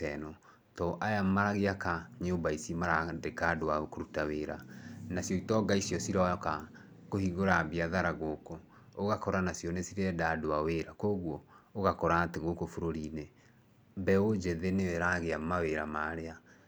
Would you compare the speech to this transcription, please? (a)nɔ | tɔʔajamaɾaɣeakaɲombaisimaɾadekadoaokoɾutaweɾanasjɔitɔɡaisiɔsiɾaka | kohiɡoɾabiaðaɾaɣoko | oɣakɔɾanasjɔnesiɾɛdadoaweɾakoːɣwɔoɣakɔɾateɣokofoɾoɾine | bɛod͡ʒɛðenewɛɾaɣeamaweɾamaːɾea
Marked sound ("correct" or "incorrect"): incorrect